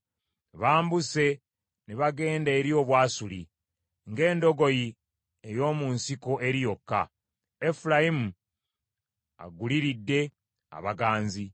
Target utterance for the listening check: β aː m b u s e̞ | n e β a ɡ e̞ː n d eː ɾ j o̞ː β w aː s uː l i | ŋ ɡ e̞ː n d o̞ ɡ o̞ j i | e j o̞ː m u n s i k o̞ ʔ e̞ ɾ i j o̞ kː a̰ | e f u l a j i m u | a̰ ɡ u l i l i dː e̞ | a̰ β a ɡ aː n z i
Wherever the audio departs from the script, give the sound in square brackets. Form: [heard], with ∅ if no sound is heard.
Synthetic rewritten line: β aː m b u s e̞ | n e β a ɡ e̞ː n d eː ɾ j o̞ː β w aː s [u] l i | ŋ ɡ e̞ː n d o̞ ɡ o̞ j i | e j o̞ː m u n s i k o̞ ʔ e̞ ɾ i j o̞ kː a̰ | e f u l a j i m u | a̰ ɡ u l i [ɾ] i dː e̞ | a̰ β a ɡ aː n z i

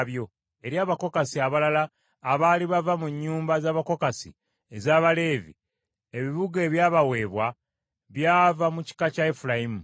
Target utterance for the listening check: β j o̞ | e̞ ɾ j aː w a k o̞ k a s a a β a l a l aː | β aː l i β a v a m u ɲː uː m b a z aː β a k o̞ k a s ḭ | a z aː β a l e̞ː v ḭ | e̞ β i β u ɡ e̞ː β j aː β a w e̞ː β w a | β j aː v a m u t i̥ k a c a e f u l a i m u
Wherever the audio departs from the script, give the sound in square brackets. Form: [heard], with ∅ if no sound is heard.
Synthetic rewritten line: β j o̞ | e̞ ɾ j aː [β] a k o̞ k a s [i] a β a l a l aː | β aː l i β a v a m u ɲː uː m b a z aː β a k o̞ k a s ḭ | [e] z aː β a l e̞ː v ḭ | e̞ β i β u ɡ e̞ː β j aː β a w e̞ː β w a | β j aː v a m u [c] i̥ k a c a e f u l a i m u

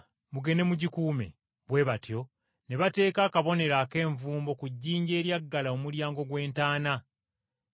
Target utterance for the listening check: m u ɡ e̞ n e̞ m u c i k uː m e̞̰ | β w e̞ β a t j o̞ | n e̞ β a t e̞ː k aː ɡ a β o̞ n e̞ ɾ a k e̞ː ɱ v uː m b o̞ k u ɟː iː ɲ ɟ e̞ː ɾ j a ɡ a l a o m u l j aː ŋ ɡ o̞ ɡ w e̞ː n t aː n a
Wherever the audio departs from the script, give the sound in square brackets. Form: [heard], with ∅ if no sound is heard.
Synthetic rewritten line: m u ɡ e̞ n e̞ m u [ɟ] i k uː m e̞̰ | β w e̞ β a t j o̞ | n e̞ β a t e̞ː k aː [k] a β o̞ n e̞ ɾ a k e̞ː ɱ v uː m b o̞ k u ɟː iː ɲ ɟ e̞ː ɾ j a [ɡː] a l a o m u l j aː ŋ ɡ o̞ ɡ w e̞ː n t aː n a

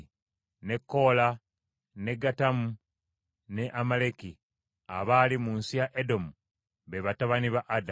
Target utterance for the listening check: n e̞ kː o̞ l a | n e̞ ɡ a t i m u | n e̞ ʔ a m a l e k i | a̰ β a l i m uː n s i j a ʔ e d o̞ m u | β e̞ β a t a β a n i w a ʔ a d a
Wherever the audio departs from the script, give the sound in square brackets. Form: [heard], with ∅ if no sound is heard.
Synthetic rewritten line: n e̞ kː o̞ l a | n e̞ ɡ a t [a] m u | n e̞ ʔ a m a l e k i | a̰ β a l i m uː n s i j a ʔ e d o̞ m u | β e̞ β a t a β a n i [β] a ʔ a d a

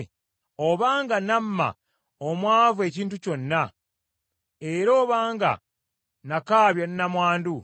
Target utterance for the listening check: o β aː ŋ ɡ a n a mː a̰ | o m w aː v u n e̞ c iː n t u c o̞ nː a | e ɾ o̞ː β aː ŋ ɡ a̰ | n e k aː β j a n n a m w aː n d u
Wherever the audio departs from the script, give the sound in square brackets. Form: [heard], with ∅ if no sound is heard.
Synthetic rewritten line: o β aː ŋ ɡ a n a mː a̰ | o m w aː v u [∅] e̞ c iː n t u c o̞ nː a | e ɾ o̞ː β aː ŋ ɡ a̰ | n [a] k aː β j a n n a m w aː n d u

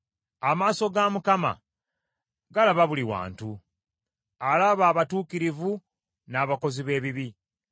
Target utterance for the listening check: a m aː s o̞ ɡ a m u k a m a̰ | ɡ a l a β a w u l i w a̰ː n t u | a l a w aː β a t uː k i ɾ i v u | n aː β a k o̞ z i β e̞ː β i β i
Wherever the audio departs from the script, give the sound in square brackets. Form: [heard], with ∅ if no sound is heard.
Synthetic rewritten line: a m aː s o̞ ɡ a m u k a m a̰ | ɡ a l a β a [β] u l i w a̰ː n t u | a l a [β] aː β a t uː k i ɾ i v u | n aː β a k o̞ z i β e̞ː β i β i

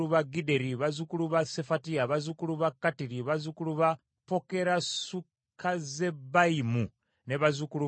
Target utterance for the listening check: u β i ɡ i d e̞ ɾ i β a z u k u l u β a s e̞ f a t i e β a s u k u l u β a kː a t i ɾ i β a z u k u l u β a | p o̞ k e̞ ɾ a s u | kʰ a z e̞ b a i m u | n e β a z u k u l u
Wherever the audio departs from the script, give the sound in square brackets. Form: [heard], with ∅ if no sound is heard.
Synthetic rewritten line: u β [a] ɡ i d e̞ ɾ i β a z u k u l u β a s e̞ f a t i [a] β a [z] u k u l u β a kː a t i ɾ i β a z u k u l u β a | p o̞ k e̞ ɾ a s u | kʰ a z e̞ b a i m u | n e β a z u k u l u

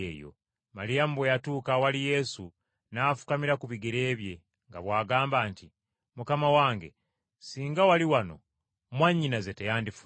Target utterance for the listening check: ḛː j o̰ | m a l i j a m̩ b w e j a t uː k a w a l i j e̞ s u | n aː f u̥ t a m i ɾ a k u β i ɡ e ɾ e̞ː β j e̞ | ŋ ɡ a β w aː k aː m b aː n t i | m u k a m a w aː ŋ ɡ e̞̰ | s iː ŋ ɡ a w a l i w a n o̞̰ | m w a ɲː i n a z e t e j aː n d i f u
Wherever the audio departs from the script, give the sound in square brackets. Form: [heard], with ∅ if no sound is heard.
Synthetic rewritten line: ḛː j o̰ | m a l i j a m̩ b w e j a t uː k a w a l i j e̞ s u | n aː f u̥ [k] a m i ɾ a k u β i ɡ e ɾ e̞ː β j e̞ | ŋ ɡ a β w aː [ɡ] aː m b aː n t i | m u k a m a w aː ŋ ɡ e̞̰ | s iː ŋ ɡ a w a l i w a n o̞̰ | m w a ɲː i n a z e t e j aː n d i f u

